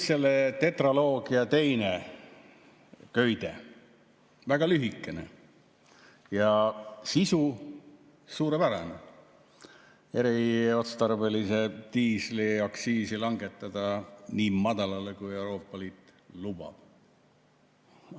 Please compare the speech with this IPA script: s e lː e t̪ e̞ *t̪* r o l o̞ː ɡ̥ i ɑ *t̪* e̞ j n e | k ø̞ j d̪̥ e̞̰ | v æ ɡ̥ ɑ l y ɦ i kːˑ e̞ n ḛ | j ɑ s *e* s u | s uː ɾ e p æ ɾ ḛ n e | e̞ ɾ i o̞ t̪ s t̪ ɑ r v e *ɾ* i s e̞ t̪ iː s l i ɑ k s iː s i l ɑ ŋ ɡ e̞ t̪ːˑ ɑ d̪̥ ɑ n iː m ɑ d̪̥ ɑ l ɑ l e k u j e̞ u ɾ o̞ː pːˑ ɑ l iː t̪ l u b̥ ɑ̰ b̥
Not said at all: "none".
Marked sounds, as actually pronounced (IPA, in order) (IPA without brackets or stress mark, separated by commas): t̪, t̪, i, l